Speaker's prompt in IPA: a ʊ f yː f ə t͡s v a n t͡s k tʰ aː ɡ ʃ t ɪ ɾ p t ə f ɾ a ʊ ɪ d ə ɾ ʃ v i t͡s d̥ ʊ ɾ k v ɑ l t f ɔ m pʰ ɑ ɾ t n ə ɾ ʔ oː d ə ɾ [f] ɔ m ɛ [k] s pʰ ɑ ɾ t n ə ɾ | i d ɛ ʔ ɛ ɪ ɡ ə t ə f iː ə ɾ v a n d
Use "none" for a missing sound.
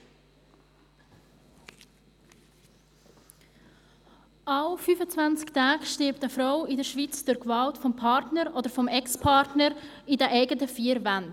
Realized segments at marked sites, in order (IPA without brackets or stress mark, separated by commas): f, k